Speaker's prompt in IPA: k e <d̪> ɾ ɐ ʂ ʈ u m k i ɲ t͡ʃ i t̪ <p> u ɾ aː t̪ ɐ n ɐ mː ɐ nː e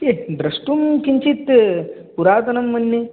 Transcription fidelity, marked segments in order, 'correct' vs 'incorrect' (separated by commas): correct, correct